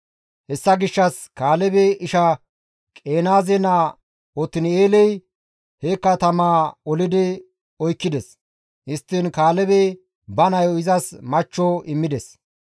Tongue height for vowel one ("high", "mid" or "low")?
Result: mid